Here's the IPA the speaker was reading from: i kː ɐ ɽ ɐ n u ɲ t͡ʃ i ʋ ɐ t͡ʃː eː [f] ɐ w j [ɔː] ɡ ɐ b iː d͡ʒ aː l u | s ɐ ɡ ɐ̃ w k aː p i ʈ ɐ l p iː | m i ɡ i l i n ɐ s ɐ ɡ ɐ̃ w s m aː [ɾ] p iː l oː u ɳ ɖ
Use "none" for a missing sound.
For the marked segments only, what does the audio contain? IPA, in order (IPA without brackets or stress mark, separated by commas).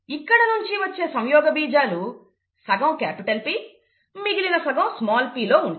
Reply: s, ɔː, l